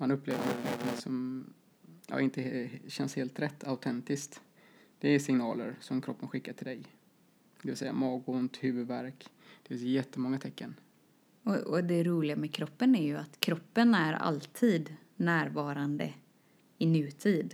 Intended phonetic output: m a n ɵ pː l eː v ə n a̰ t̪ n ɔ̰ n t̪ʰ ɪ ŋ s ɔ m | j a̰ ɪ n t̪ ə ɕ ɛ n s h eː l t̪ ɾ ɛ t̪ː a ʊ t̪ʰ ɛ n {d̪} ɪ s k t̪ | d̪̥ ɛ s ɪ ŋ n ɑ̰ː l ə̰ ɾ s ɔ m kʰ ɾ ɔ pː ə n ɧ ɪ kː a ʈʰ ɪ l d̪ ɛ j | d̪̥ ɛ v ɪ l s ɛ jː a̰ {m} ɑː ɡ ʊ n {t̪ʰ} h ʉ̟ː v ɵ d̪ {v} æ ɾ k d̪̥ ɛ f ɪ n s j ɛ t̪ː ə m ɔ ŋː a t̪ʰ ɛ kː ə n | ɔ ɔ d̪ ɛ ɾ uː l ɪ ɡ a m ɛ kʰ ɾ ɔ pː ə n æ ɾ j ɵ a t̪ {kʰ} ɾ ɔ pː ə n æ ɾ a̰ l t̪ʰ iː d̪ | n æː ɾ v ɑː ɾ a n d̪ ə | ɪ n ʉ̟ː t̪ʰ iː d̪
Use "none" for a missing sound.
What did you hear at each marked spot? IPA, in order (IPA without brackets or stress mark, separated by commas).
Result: t̪, m, t̪, v, kʰ